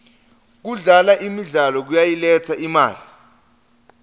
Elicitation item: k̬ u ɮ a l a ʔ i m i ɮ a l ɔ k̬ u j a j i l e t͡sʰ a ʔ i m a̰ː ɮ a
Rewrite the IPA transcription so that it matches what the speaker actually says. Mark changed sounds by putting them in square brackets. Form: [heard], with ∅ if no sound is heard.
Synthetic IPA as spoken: k̬ u ɮ a l a ʔ i m i ɮ a l ɔ k̬ u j a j i l [ɛ] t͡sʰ a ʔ i m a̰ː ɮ [i]